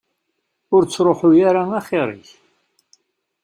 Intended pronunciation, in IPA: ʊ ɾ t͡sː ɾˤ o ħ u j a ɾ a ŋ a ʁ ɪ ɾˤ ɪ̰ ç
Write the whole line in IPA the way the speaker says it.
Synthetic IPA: ʊ ɾ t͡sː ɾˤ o ħ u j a ɾ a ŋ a χ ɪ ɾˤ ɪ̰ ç